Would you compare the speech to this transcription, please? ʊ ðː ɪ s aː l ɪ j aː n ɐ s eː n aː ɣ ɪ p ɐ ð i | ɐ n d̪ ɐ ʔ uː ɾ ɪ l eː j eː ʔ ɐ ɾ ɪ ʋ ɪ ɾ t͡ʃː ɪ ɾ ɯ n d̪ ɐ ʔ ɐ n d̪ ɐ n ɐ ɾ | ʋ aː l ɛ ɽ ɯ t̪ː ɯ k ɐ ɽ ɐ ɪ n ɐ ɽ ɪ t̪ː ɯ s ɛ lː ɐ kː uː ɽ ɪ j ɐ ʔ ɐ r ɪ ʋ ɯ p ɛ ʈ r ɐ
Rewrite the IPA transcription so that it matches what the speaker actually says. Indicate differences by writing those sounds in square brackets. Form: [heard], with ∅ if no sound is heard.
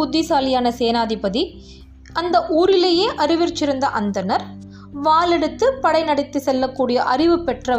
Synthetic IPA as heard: ʊ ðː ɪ s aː l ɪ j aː n ɐ s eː n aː [ð] ɪ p ɐ ð i | ɐ n d̪ ɐ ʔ uː ɾ ɪ l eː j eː ʔ ɐ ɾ ɪ ʋ ɪ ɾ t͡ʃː ɪ ɾ ɯ n d̪ ɐ ʔ ɐ n d̪ ɐ n ɐ ɾ | ʋ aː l ɛ ɽ ɯ t̪ː ɯ [p] ɐ ɽ ɐ ɪ n ɐ ɽ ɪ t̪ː ɯ s ɛ lː ɐ kː uː ɽ ɪ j ɐ ʔ ɐ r ɪ ʋ ɯ p ɛ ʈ r ɐ